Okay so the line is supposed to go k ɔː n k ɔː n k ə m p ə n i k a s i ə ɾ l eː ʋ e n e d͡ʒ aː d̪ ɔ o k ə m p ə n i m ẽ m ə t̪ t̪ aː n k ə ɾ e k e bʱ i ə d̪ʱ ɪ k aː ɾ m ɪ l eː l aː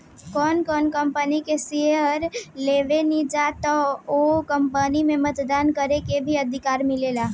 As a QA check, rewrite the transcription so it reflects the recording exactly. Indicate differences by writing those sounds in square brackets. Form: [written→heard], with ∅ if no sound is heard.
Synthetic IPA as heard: k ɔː n k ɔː n k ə m p ə n i k [a→e] s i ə ɾ l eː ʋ e n [e→i] d͡ʒ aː [d̪→t̪] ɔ o k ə m p ə n i m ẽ m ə t̪ [t̪→d̪] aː n k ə ɾ e k e bʱ i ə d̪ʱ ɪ k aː ɾ m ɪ l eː l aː